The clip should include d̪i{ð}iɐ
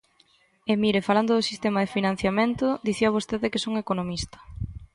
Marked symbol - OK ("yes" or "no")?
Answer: no